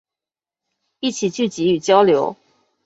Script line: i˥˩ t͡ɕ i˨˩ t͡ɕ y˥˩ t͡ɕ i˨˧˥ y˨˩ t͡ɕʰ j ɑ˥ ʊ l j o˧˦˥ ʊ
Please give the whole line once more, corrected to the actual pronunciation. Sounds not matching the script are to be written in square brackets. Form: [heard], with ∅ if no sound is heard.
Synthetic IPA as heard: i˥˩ [t͡ɕʰ] i˨˩ t͡ɕ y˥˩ t͡ɕ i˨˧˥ y˨˩ [t͡ɕ] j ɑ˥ ʊ l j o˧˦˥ ʊ